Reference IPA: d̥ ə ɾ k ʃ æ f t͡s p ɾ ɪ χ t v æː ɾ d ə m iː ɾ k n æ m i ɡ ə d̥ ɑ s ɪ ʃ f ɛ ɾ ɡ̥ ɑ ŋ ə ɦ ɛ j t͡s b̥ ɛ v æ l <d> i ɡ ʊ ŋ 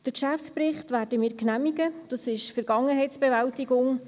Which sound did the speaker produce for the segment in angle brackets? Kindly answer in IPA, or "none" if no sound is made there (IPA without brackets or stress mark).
t